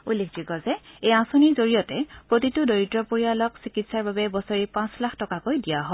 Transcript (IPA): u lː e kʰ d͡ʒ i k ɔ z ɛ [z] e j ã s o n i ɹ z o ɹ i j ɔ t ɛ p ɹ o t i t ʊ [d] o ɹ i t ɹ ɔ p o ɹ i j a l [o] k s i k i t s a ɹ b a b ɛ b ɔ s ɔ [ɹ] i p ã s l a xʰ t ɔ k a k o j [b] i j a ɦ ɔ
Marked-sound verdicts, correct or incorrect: incorrect, correct, incorrect, correct, incorrect

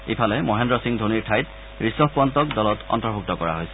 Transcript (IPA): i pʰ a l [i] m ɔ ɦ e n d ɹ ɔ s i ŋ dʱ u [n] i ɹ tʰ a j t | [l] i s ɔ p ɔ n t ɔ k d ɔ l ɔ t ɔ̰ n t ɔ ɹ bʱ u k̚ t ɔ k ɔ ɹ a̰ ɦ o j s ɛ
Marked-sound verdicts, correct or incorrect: incorrect, correct, incorrect

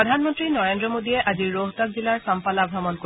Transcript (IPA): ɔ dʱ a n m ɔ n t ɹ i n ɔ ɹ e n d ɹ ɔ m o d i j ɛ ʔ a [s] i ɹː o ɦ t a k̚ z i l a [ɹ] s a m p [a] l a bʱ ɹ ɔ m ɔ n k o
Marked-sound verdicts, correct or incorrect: incorrect, correct, correct

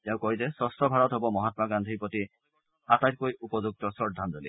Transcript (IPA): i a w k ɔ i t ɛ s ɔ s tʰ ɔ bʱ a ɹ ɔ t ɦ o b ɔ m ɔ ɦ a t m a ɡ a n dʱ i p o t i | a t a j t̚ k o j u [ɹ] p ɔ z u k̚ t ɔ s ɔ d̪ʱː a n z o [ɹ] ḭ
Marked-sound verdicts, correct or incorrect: incorrect, incorrect

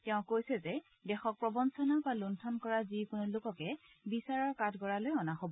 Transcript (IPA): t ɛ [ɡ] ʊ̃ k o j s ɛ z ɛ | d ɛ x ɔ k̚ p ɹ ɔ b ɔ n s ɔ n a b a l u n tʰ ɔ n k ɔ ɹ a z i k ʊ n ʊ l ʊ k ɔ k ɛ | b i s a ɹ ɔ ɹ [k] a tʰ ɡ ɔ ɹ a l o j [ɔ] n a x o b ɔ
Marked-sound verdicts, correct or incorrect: incorrect, correct, correct

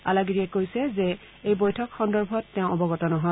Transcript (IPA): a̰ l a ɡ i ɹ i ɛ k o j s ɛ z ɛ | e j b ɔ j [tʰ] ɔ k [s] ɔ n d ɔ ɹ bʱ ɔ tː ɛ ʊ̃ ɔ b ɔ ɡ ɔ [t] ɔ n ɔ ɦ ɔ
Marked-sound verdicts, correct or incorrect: correct, incorrect, correct

